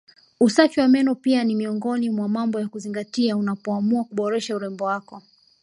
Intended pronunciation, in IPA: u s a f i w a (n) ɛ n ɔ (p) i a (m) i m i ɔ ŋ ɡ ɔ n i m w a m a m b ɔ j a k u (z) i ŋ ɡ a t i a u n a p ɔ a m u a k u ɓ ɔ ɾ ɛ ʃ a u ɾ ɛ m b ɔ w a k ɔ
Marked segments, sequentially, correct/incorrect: incorrect: m, correct, incorrect: n, correct

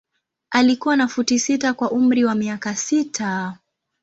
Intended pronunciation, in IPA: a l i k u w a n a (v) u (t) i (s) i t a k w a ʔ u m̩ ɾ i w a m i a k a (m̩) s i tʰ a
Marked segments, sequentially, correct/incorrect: incorrect: f, correct, correct, incorrect: none

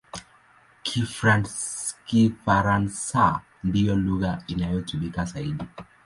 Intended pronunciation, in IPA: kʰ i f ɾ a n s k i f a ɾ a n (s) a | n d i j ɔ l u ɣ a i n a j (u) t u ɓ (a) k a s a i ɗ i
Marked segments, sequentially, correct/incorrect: correct, incorrect: ɔ, incorrect: i

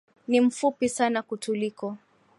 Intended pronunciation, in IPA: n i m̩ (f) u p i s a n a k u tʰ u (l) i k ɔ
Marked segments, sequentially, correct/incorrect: correct, correct

